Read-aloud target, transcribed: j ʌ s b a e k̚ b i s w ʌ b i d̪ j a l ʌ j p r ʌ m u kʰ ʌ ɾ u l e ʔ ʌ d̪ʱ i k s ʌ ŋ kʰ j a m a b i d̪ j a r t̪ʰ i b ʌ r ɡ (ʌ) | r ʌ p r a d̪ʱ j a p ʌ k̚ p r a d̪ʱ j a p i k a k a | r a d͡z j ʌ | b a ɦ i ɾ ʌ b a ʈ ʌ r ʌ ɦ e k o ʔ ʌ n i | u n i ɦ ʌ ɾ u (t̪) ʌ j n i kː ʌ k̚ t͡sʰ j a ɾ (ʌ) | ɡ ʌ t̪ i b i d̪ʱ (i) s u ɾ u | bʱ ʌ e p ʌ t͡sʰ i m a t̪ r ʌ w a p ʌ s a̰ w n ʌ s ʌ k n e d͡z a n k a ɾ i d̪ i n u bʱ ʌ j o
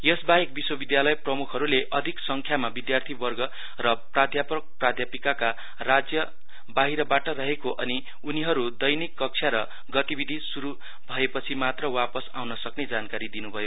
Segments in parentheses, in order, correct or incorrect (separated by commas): correct, incorrect, correct, correct